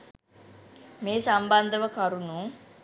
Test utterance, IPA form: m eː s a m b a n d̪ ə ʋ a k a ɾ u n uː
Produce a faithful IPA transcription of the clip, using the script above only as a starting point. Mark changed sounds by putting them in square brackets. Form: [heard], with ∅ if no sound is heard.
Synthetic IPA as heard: m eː s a m b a n d̪ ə ʋ [ə] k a ɾ u n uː